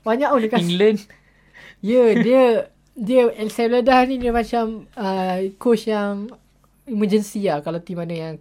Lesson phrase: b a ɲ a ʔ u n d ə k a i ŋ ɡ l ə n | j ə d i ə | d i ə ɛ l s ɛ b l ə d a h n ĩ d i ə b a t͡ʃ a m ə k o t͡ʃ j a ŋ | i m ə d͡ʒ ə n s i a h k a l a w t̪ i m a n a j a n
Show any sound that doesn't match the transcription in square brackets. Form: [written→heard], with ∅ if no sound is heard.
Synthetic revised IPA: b a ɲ a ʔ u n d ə k a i ŋ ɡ l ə n | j ə d i ə | d i ə ɛ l s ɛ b l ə d a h n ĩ d i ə [b→m] a t͡ʃ a m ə k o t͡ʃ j a ŋ | i m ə d͡ʒ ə n s i a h k a l a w t̪ i m a n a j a [n→ŋ]